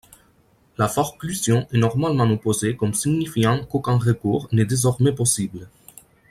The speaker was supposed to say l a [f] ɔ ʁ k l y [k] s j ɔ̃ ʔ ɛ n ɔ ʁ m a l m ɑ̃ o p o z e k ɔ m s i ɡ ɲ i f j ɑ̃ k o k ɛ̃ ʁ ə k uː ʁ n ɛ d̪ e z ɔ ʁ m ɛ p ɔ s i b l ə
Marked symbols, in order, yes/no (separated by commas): yes, no